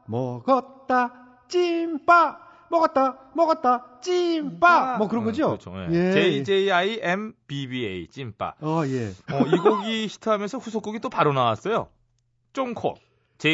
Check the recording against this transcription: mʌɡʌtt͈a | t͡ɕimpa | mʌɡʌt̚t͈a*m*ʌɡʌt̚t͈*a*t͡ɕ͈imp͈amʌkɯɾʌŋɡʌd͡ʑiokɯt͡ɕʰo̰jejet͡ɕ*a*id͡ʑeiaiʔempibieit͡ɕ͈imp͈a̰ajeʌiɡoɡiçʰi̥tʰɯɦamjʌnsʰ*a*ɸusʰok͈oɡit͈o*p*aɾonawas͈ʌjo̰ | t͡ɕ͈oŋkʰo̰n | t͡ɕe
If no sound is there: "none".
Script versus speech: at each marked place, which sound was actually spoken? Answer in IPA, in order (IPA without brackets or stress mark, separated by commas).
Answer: m, a, e, ʌ, p